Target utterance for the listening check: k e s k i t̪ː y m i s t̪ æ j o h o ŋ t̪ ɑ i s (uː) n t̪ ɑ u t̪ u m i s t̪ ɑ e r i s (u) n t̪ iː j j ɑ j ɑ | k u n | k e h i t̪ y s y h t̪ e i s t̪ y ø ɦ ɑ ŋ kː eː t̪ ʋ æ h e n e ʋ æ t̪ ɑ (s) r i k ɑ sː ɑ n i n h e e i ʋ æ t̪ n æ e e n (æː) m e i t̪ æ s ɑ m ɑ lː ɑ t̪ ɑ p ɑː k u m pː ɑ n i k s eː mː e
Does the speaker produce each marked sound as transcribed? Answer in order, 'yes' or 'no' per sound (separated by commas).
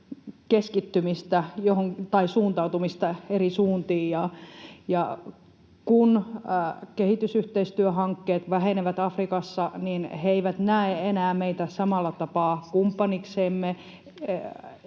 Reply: yes, no, no, yes